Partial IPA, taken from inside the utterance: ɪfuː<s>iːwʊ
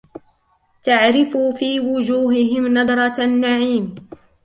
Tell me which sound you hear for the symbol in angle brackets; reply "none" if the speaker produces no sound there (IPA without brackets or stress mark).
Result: f